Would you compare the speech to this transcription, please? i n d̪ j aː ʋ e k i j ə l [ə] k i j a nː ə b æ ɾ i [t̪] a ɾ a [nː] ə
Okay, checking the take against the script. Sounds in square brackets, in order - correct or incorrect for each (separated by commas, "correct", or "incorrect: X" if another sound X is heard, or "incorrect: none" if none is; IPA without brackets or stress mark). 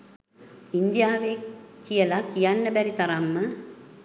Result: incorrect: a, correct, incorrect: mː